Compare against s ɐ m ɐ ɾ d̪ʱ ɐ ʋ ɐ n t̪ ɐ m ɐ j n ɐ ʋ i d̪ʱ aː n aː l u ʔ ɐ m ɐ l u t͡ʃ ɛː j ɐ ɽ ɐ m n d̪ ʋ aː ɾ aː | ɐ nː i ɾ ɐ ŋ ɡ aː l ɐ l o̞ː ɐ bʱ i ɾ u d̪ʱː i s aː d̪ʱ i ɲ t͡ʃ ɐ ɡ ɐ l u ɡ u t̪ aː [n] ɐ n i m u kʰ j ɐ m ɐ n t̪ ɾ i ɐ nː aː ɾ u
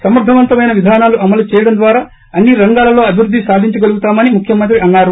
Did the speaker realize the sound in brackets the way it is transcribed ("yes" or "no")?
no